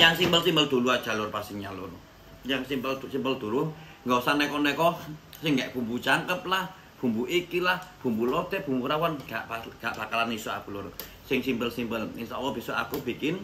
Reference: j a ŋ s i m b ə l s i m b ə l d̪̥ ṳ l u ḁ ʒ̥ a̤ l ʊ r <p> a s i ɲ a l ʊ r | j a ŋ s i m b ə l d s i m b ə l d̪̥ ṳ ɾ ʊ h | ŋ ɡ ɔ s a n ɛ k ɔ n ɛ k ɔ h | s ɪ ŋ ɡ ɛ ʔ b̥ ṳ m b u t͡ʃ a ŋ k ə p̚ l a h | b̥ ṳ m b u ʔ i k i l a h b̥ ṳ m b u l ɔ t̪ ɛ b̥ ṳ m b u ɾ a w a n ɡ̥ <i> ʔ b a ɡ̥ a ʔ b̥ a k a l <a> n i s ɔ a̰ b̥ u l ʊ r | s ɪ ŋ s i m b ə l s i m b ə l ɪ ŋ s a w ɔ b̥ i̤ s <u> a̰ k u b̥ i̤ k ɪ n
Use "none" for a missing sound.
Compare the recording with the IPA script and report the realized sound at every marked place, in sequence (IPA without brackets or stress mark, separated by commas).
p, a, a, ɔ